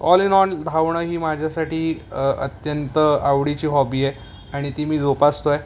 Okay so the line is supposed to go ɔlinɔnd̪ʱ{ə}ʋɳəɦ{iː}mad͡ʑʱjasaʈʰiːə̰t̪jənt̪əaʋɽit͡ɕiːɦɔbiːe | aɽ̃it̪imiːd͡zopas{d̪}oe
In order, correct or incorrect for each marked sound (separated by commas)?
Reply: incorrect, correct, incorrect